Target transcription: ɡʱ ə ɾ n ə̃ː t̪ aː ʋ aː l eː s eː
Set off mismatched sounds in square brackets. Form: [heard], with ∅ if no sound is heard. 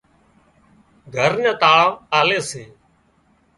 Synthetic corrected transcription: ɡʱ ə ɾ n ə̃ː t̪ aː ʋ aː l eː s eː